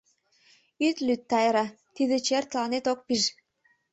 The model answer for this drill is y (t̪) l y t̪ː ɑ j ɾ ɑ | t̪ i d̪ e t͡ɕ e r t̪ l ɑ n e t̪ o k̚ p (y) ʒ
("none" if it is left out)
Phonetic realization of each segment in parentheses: t̪, i

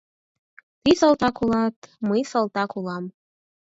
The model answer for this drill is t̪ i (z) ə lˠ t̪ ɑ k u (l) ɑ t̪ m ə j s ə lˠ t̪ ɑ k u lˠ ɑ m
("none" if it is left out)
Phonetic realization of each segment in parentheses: s, l

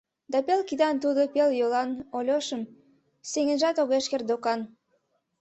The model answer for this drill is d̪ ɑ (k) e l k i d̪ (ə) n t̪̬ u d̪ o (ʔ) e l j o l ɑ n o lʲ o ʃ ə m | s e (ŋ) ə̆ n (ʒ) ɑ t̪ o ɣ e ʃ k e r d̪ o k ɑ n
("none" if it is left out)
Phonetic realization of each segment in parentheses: p, ɑ, p, ŋ, ʒ

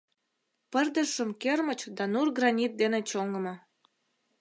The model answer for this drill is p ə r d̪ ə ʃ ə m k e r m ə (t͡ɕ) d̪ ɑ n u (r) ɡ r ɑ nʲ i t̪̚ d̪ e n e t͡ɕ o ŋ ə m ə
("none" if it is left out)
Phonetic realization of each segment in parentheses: t͡ɕ, r

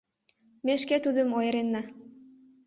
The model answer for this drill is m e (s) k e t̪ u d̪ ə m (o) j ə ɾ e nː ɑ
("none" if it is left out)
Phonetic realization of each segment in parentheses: ʃ, o

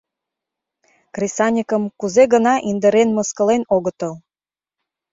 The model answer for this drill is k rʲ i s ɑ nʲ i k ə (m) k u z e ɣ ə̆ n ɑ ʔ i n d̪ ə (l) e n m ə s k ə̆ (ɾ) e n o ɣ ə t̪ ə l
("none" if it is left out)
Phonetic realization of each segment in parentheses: m, ɾ, l

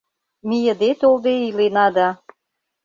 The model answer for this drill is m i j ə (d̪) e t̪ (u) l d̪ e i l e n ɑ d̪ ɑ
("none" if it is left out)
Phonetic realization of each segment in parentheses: d̪, o

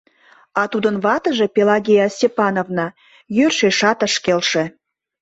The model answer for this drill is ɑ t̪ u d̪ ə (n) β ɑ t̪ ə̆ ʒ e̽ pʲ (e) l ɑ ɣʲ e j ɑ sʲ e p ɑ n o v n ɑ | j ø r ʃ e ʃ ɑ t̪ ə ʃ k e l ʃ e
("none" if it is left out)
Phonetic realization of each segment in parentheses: n, e

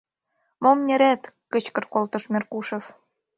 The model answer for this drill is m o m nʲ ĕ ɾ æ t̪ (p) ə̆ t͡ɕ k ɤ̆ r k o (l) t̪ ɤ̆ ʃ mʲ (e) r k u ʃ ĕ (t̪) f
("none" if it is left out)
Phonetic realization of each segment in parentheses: k, l, e, none

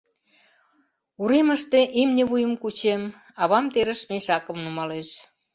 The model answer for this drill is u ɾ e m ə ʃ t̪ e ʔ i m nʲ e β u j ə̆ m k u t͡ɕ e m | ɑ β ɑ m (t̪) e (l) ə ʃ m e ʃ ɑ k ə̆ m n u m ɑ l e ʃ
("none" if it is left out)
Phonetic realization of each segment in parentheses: t̪, ɾ

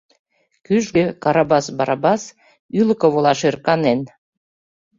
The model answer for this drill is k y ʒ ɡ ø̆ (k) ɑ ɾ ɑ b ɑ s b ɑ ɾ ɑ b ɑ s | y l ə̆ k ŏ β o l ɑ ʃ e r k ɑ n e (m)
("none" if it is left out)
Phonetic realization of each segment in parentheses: k, n

